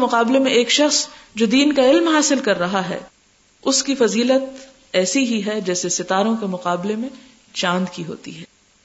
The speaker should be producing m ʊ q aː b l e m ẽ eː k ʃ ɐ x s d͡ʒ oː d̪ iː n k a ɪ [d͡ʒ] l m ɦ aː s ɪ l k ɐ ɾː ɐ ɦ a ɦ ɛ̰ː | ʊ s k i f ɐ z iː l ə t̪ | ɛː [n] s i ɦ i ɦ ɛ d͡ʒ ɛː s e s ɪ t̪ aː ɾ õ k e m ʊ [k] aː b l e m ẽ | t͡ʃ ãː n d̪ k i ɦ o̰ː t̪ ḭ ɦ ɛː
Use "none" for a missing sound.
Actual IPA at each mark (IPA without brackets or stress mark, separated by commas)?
none, none, q